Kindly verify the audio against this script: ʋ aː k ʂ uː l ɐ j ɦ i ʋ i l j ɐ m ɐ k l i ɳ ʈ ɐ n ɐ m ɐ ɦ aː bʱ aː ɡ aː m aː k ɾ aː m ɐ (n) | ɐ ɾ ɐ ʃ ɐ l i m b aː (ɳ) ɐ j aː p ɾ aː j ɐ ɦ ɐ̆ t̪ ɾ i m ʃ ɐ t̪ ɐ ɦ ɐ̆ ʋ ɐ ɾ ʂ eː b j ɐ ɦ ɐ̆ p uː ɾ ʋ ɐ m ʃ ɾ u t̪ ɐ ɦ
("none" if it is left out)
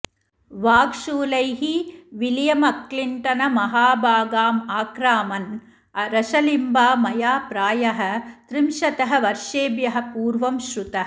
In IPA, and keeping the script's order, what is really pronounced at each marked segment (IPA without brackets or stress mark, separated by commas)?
n, m